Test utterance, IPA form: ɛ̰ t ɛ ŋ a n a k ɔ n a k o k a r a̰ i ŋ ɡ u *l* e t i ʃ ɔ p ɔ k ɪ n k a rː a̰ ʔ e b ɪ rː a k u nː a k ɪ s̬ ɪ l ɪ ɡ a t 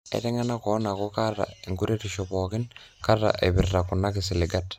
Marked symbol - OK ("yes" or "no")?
no